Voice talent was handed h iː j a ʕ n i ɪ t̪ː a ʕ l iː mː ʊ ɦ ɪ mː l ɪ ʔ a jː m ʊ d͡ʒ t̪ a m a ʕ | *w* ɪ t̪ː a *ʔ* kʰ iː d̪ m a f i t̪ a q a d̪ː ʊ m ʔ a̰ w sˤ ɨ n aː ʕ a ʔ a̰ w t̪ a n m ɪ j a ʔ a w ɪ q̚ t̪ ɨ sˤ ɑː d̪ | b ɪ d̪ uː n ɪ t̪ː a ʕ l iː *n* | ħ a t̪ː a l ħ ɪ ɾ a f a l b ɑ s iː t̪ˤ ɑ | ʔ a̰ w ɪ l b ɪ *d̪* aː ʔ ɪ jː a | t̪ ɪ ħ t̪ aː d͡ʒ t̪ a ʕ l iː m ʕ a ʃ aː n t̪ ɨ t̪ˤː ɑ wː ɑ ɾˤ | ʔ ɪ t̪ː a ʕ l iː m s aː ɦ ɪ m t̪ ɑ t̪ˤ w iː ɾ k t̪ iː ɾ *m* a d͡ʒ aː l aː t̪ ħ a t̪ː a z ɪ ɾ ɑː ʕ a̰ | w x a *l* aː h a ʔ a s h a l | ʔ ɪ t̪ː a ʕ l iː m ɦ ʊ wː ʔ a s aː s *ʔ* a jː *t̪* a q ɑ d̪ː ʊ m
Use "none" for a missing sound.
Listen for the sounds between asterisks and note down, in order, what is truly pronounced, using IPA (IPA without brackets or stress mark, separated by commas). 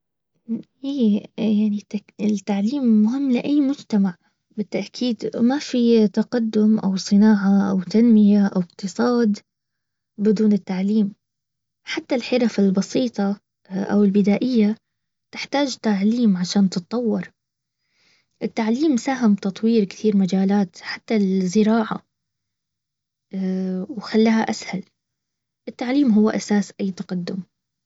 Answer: b, ʔ, m, d̪, m, lː, ʔ, t̪